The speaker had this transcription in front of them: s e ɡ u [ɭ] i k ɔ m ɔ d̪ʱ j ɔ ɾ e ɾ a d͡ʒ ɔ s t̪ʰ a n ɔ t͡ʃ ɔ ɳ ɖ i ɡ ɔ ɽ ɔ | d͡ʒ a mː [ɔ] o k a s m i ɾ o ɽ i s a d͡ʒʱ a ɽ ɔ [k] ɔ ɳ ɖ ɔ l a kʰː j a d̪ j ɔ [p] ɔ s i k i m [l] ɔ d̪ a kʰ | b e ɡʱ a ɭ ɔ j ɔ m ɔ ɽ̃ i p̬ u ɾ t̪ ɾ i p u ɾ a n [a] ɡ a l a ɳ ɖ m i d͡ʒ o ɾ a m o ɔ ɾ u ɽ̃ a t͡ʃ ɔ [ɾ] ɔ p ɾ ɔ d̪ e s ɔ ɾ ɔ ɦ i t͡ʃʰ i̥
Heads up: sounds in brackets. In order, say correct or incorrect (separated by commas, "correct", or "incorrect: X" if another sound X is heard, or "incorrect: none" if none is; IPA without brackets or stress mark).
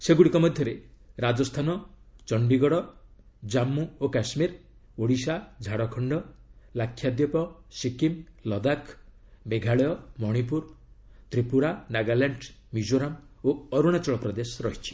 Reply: incorrect: ɽ, incorrect: u, incorrect: kʰ, correct, correct, correct, incorrect: ɭ